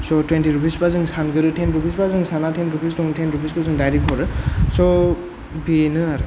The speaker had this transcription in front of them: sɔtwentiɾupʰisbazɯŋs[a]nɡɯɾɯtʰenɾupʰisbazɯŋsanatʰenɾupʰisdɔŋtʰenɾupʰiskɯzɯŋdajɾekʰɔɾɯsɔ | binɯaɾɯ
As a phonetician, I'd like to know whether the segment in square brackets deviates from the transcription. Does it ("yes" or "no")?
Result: no